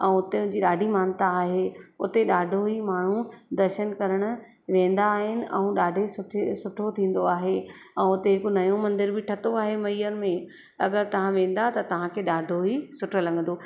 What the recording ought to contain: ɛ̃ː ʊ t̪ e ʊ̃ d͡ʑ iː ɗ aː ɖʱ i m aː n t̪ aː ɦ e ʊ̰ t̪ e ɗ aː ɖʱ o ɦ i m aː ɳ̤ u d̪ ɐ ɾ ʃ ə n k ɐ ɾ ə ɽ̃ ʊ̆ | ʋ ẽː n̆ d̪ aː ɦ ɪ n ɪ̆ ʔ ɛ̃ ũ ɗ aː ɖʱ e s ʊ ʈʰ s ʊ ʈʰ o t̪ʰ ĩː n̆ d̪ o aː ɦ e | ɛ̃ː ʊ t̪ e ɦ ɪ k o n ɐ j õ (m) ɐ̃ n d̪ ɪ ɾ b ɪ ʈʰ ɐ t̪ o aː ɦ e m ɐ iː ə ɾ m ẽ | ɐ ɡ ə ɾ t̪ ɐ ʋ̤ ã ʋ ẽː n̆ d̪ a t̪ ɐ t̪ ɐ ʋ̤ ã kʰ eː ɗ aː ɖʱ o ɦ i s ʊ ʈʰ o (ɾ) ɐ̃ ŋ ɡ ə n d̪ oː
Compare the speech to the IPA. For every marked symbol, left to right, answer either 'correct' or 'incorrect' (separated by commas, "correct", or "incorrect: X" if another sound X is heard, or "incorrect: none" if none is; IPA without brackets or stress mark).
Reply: correct, incorrect: l